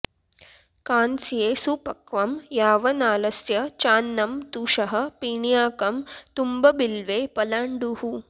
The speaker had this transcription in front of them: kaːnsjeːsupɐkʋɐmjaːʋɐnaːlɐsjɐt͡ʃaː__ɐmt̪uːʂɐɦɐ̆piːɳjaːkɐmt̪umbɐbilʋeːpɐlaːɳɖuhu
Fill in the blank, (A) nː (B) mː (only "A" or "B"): A